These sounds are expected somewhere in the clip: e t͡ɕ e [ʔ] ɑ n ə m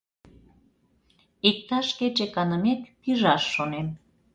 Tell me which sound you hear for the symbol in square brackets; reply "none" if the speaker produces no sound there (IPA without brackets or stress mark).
k